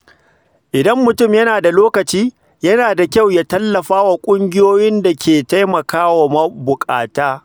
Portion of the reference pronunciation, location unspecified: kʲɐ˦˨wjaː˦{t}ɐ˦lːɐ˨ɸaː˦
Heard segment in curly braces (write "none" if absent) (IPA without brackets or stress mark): t